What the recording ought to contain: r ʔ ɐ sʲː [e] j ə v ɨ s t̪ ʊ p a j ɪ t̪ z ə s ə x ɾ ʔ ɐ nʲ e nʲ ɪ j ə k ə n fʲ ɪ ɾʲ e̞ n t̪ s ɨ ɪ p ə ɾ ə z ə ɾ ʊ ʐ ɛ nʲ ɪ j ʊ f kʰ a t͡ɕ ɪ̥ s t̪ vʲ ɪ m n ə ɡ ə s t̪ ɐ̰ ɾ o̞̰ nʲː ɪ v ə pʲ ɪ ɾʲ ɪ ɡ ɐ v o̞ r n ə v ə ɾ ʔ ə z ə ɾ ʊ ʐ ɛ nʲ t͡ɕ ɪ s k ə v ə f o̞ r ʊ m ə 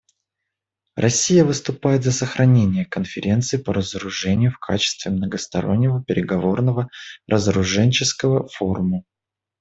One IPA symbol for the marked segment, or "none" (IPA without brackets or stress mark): i